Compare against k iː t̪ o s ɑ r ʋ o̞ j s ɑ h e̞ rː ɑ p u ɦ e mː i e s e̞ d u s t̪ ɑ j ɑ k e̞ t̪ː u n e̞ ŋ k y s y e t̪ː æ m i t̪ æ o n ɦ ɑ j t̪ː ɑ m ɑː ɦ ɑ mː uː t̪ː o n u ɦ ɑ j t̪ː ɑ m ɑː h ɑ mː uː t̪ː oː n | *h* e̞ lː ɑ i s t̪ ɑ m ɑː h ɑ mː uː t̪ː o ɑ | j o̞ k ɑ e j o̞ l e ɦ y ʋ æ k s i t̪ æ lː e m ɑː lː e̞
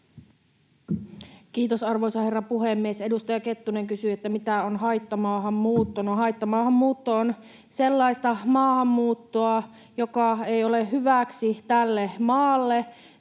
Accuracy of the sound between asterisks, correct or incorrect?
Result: incorrect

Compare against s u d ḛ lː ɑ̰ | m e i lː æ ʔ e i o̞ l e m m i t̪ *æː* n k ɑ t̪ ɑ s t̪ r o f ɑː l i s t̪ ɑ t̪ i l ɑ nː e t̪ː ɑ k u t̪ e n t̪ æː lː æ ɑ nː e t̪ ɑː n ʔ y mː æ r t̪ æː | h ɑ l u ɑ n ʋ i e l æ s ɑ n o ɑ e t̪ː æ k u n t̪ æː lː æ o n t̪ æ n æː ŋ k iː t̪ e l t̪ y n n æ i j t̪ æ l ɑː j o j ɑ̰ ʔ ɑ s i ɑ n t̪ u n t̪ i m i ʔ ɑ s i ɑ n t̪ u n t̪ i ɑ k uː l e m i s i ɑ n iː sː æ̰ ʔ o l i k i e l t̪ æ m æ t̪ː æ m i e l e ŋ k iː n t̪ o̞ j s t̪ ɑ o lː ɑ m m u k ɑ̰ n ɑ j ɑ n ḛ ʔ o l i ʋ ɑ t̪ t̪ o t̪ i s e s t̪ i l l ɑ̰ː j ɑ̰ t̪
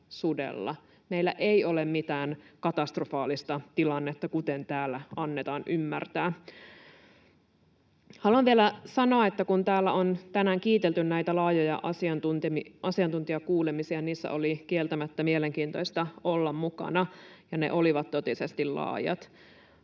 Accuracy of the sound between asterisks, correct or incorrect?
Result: correct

